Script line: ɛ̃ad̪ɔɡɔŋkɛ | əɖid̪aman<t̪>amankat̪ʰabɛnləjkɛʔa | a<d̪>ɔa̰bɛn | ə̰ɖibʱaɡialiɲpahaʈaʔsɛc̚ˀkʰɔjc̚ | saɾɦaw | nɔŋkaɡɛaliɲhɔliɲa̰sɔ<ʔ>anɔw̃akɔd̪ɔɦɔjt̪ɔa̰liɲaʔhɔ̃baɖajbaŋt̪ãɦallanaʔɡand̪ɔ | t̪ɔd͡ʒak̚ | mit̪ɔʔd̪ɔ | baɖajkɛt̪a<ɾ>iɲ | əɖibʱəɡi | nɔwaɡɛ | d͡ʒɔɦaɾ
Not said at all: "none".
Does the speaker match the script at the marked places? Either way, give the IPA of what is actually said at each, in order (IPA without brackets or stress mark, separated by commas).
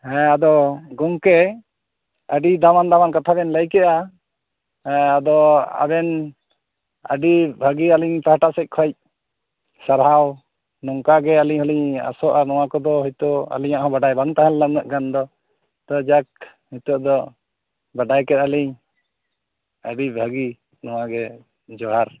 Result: d̪, d̪, ʔ, l